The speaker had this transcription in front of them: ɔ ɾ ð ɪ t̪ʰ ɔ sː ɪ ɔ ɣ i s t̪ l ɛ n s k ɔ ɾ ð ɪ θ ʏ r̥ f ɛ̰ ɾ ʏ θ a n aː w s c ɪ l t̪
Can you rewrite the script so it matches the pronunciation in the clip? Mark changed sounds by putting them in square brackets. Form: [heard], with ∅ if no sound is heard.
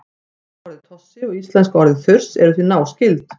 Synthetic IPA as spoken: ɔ ɾ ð ɪ t̪ʰ ɔ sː ɪ ɔ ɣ i s t̪ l ɛ n s k ɔ ɾ ð ɪ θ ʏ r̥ [s] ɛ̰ ɾ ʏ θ [i] n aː w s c ɪ l t̪